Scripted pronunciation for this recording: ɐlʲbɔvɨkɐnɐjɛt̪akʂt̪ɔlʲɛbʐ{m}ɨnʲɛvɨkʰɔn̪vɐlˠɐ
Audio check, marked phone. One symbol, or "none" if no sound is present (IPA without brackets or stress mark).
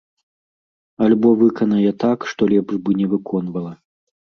b